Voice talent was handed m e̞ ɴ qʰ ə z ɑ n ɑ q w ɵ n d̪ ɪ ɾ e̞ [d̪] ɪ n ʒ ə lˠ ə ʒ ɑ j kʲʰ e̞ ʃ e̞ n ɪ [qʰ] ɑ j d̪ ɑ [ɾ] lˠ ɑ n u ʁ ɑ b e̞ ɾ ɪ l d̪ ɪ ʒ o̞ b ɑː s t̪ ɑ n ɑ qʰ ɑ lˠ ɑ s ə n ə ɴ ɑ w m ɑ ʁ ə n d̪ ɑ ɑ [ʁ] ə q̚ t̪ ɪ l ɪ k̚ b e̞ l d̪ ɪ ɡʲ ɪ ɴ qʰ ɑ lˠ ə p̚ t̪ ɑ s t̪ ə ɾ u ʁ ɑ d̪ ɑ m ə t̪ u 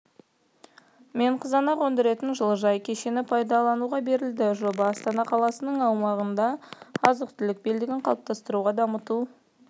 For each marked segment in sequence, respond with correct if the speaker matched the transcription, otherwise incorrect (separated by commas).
incorrect, incorrect, incorrect, incorrect